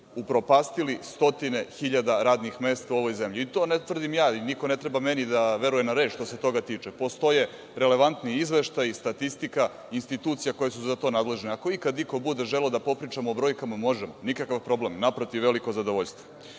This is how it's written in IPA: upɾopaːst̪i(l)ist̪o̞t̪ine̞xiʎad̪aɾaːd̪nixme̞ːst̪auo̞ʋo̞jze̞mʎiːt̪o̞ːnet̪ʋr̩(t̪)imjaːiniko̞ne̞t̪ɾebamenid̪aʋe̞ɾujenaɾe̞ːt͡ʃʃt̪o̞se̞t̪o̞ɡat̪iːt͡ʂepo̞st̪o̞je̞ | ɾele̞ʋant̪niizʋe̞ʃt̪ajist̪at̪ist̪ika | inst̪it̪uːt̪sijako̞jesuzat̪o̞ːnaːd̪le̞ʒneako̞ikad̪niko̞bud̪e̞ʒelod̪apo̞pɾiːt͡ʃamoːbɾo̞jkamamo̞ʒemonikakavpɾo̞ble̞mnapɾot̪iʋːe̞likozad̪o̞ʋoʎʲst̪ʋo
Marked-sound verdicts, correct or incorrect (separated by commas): correct, incorrect